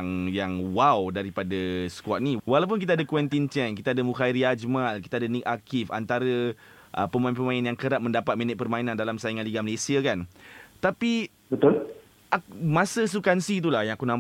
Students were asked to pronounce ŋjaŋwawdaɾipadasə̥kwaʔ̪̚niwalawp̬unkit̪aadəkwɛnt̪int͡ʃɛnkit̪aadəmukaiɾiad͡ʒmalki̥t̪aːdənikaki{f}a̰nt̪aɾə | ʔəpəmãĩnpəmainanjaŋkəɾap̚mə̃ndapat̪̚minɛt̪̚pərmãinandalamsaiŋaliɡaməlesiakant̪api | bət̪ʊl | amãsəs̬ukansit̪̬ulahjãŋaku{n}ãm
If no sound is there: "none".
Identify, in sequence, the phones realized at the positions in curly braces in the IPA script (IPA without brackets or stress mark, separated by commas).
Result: f, n